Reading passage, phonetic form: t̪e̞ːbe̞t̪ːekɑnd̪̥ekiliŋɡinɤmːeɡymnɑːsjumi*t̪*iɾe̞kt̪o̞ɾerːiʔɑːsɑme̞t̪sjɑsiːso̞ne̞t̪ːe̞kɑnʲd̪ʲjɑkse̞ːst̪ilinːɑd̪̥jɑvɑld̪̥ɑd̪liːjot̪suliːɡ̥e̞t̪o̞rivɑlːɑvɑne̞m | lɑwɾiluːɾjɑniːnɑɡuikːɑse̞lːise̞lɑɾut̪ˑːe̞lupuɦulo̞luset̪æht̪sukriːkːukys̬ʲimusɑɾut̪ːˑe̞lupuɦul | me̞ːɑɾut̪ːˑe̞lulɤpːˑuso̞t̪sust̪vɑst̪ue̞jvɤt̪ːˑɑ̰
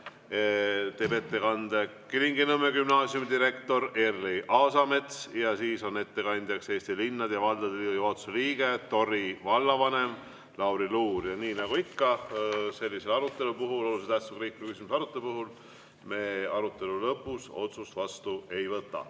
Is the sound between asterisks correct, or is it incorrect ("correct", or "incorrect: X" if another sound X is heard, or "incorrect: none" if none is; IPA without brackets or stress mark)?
incorrect: d̪